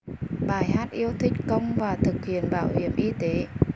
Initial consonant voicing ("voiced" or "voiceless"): voiced